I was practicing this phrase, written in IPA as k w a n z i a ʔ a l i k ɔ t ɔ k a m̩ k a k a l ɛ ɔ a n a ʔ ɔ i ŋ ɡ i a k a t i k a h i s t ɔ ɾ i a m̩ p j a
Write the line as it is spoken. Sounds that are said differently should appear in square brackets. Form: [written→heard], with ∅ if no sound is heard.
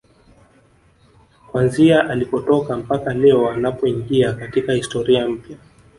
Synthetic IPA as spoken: k w a n z i a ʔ a l i [k→p] ɔ t ɔ k a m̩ [k→p] a k a l ɛ ɔ a n a [ʔ→p] ɔ i ŋ ɡ i a k a t i k a h i s t ɔ ɾ i a m̩ p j a